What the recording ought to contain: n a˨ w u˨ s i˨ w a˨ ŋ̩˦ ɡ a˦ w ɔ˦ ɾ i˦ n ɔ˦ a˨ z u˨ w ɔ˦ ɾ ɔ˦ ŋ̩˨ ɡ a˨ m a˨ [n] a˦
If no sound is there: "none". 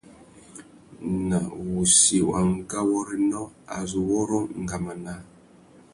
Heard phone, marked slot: n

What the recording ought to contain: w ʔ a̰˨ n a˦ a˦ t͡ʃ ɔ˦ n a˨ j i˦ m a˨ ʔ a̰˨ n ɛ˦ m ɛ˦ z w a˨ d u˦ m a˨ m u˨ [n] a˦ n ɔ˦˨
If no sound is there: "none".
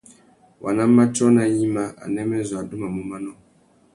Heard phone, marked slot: m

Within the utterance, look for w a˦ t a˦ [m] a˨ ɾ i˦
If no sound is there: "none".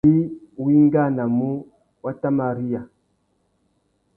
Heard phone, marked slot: m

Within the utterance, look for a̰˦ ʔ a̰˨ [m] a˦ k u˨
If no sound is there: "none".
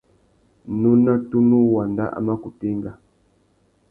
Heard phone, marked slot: m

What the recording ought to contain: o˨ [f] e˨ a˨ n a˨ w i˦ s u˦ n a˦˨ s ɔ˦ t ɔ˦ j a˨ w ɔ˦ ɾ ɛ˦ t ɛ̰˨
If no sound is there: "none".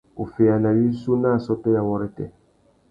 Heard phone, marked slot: f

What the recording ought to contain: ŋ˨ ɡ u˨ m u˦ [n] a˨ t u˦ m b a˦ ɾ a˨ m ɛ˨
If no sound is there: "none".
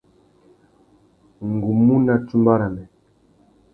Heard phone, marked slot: n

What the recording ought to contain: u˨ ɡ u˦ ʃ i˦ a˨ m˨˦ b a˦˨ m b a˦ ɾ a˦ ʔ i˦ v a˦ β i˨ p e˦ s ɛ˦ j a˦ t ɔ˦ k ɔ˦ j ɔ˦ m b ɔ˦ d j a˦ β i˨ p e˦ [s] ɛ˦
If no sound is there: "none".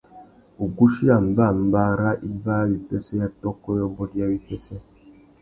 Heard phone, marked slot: s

